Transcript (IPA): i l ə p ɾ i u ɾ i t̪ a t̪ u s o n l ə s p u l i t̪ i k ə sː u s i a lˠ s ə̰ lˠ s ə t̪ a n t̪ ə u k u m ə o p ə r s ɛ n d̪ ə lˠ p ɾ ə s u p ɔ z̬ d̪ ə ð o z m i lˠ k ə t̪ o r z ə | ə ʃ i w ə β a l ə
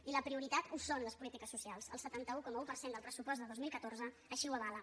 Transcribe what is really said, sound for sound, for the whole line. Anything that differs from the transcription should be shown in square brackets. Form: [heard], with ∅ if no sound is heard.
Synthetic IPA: i l ə p ɾ i u ɾ i t̪ a t̪ u s o n l ə s p u l i t̪ i k ə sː u s i a lˠ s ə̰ lˠ s ə t̪ a n t̪ ə u k [ɔ] m ə [u] p ə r s [e] n d̪ ə lˠ p ɾ ə s u p ɔ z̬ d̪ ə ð o z m i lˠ k ə t̪ o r z ə | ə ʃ i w ə β a l ə